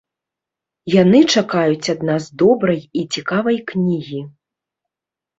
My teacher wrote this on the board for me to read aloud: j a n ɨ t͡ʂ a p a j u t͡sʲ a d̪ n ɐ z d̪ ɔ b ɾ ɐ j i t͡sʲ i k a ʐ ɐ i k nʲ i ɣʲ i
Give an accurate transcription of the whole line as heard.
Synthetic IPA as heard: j a n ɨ t͡ʂ a k a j u t͡sʲ a d̪ n a z d̪ ɔ b ɾ ɐ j i t͡sʲ i k a v ɐ j k nʲ i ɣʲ i

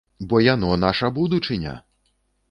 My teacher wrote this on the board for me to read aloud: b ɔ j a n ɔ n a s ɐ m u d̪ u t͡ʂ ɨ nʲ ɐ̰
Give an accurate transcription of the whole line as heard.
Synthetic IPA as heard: b ɔ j a n ɔ n a ʂ ɐ b u d̪ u t͡ʂ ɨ nʲ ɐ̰

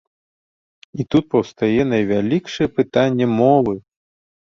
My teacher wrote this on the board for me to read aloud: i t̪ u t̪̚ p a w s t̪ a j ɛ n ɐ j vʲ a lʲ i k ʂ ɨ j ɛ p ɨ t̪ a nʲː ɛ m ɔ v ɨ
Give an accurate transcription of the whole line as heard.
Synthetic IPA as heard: i t̪ u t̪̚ p ɐ w s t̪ a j ɛ n ɐ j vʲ a lʲ i k ʂ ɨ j ɛ p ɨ t̪ a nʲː ɛ m ɔ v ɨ

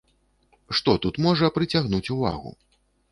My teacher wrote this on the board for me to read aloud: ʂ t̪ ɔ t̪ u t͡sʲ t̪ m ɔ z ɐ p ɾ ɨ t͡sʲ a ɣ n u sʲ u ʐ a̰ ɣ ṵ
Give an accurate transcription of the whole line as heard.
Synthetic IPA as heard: ʂ t̪ ɔ t̪ u t̪ m ɔ ʐ ɐ p ɾ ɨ t͡sʲ a ɣ n u t͡sʲ u v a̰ ɣ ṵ

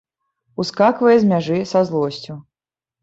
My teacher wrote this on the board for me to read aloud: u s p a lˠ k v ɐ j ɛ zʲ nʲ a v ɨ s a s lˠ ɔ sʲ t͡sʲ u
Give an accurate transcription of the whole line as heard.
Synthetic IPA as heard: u s k a k v ɐ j ɛ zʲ mʲ a ʐ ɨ s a z lˠ ɔ sʲ t͡sʲ u

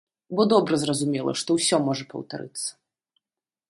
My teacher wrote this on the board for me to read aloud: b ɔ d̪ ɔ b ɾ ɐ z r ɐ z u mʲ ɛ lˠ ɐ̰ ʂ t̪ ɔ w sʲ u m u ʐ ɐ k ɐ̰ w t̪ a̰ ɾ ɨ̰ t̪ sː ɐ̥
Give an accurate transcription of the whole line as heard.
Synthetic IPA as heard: b ɔ d̪ ɔ b ɾ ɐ z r ɐ z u mʲ ɛ lˠ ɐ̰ ʂ t̪ ɔ w sʲ ɔ m ɔ ʐ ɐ p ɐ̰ w t̪ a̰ ɾ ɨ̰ t̪ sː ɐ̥

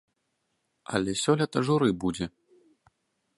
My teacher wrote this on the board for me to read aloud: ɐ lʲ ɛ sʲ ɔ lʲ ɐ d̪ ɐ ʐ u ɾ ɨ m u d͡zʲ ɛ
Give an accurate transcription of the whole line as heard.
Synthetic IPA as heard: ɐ lʲ ɛ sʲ ɔ lʲ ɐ t̪ ɐ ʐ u ɾ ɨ b u d͡zʲ ɛ

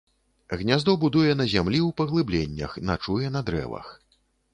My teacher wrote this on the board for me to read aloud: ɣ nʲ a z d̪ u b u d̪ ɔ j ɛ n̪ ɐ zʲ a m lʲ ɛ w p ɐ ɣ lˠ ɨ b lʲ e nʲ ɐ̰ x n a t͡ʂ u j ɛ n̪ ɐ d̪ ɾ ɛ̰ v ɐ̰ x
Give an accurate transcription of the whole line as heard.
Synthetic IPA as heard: ɣ nʲ a z d̪ ɔ b u d̪ u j ɛ n̪ ɐ zʲ a m lʲ i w p ɐ ɣ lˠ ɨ b lʲ e nʲː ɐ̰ x n a t͡ʂ u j ɛ n̪ ɐ d̪ ɾ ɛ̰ v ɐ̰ x

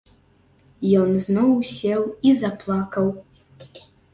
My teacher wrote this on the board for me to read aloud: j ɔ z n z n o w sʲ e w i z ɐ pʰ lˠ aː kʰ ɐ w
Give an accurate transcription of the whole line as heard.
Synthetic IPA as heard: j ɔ n z n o w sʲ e w i z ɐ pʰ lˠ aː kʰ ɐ w

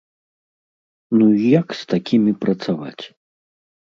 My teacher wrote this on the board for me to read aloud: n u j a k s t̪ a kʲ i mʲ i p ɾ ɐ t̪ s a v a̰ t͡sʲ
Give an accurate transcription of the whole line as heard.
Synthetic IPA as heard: n u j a k s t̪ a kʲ i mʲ i p ɾ ɐ t̪ s a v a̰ t͡sʲ

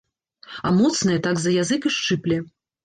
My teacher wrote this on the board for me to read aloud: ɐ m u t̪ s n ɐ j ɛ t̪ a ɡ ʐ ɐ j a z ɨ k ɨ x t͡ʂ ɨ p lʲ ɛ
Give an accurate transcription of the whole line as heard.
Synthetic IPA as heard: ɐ m ɔ t̪ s n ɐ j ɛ t̪ a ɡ z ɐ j a z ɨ k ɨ ʂ t͡ʂ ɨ p lʲ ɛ

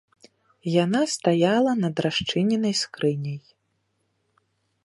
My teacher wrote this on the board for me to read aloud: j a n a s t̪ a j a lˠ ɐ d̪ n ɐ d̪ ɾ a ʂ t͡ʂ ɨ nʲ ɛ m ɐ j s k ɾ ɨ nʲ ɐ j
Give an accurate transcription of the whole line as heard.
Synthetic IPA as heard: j a n a s t̪ a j a lˠ ɐ n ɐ d̪ ɾ a ʂ t͡ʂ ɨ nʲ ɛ n ɐ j s k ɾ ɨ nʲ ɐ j

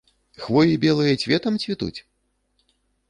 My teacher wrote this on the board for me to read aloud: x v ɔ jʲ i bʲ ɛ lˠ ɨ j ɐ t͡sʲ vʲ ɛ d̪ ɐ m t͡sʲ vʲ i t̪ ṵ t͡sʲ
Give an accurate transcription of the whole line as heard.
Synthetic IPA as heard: x v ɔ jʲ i bʲ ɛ lˠ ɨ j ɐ t͡sʲ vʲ ɛ t̪ ɐ m t͡sʲ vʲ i t̪ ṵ t͡sʲ

